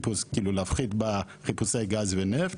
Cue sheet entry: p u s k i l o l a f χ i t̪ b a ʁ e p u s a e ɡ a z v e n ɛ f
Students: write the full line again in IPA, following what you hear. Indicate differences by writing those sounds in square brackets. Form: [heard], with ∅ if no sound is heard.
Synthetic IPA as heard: p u s k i l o l a f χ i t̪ b a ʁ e p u s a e ɡ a z v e n ɛ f